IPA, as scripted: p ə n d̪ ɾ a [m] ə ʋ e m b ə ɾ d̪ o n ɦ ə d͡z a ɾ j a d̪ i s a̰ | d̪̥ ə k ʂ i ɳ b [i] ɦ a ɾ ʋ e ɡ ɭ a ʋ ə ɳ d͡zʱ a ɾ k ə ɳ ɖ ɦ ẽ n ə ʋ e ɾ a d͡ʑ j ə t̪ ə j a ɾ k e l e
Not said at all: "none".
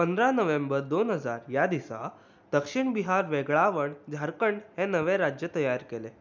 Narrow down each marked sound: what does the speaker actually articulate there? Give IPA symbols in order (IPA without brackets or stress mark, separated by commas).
n, i